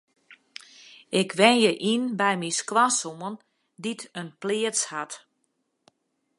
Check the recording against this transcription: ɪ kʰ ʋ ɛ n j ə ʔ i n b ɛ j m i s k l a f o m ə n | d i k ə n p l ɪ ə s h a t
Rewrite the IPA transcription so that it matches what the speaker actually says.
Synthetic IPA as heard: ɪ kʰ ʋ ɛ n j ə ʔ i n b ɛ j m i s k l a s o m ə n | d i t ə n p l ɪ ə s h a t

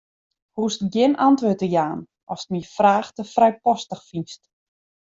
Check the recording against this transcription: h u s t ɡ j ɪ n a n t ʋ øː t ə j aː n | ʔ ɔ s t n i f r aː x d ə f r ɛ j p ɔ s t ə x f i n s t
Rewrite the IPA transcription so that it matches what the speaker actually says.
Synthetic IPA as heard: h u s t ɡ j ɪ n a n t ʋ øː t ə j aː n | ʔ ɔ s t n i f r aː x t ə f r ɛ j p ɔ s t ə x f i n s t

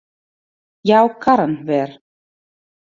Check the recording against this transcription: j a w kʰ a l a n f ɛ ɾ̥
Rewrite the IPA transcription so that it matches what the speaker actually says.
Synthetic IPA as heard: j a w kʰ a ɾ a n v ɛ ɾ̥

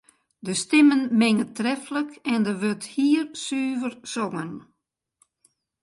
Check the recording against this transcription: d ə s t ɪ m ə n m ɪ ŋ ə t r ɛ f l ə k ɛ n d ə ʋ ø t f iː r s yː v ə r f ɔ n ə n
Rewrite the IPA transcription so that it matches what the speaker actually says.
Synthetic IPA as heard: d ə s t ɪ m ə n m ɪ ŋ ə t r ɛ f l ə k ɛ n d ə ʋ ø t h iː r s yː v ə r s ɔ ŋ ə n

